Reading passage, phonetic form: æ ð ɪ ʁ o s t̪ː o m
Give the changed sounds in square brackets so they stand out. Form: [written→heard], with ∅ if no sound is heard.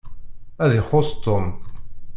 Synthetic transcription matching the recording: æ ð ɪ [ʁ→χ] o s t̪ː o m